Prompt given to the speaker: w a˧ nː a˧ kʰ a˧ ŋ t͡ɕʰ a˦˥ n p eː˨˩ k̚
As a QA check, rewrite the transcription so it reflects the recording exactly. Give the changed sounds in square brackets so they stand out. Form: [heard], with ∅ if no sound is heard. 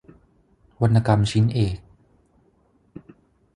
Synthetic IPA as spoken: w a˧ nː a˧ [k] a˧ [m] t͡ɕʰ [i˦˥] n [ʔ] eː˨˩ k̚